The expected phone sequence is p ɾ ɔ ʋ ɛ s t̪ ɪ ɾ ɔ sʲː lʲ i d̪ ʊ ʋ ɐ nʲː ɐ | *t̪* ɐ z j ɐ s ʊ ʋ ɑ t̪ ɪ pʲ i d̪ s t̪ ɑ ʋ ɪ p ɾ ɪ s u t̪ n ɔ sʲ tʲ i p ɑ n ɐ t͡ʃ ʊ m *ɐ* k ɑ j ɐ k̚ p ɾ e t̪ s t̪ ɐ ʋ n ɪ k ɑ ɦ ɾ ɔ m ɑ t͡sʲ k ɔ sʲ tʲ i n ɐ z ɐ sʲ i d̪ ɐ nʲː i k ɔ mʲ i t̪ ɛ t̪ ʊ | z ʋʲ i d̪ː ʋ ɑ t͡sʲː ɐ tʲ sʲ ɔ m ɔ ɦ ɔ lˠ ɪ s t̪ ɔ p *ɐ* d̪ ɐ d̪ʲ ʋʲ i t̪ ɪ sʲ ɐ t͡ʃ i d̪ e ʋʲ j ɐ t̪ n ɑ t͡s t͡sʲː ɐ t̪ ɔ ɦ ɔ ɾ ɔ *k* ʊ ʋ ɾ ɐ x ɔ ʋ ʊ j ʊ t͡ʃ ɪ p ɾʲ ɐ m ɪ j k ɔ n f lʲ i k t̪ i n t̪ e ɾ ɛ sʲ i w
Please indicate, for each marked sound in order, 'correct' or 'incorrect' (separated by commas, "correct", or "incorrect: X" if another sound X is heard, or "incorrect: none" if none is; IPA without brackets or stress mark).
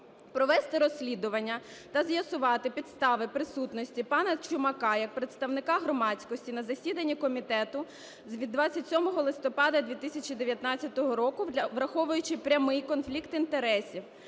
correct, correct, incorrect: ɑ, correct